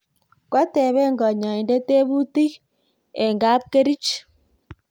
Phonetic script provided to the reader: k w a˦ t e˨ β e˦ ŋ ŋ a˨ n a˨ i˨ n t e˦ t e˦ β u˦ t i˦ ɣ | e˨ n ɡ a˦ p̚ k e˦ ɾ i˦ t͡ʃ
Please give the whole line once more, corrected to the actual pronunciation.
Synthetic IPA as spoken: k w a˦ t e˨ β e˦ ŋ ɡ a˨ ɲ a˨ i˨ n d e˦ t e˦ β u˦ t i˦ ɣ | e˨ ŋ ɡ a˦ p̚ k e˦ ɾ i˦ t͡ʃ